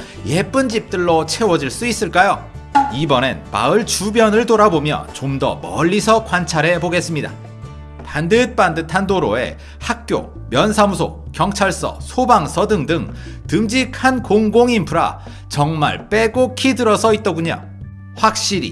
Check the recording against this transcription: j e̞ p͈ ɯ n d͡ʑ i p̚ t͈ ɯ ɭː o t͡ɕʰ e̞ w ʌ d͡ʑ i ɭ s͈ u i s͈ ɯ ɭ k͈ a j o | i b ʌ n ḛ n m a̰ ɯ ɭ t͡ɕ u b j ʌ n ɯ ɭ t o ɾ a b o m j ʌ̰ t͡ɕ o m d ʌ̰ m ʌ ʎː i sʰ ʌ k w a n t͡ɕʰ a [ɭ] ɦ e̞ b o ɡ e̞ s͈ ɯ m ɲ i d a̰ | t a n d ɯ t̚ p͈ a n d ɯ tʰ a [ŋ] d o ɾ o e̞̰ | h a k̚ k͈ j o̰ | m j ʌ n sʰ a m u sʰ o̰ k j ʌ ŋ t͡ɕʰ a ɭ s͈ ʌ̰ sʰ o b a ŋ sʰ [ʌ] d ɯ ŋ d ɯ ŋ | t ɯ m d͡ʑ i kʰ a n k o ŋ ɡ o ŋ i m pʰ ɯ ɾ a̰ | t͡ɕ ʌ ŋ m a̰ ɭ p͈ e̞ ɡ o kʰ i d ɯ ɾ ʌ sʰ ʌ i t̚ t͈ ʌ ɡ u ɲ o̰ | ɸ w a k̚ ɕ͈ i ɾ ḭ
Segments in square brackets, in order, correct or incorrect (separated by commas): incorrect, incorrect, correct